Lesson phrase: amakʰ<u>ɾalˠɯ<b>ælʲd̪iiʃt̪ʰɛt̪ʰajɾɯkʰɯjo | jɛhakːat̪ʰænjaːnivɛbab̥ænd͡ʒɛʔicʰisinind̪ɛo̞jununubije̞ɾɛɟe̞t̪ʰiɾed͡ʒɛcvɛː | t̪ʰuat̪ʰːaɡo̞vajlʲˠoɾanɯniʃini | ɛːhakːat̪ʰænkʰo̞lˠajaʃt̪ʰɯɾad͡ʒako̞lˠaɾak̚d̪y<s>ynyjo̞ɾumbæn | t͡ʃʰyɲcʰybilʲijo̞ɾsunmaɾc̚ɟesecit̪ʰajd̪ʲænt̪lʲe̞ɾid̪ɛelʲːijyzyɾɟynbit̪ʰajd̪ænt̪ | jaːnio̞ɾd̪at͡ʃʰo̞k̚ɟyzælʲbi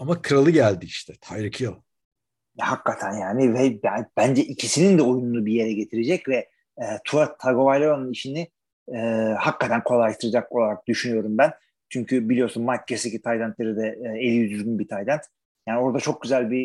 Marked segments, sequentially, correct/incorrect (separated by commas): incorrect, incorrect, incorrect